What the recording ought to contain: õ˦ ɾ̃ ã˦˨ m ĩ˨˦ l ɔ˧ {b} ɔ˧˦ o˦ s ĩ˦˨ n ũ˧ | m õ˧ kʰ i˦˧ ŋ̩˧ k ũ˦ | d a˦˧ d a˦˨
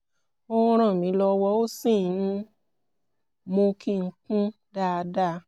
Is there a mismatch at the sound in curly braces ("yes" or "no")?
yes